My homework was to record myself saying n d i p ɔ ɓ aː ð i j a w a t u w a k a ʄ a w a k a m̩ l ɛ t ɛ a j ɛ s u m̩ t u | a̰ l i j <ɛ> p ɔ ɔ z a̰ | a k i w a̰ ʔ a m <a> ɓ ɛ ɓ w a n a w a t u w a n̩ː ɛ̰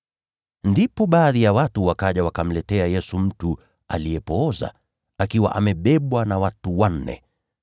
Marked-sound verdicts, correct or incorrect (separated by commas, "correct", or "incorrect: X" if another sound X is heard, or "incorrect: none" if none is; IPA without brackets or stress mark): correct, incorrect: ɛ